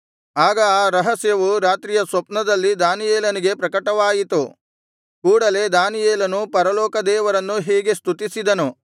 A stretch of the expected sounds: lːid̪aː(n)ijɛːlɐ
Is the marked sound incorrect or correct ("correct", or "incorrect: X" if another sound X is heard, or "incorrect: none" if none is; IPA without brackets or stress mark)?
correct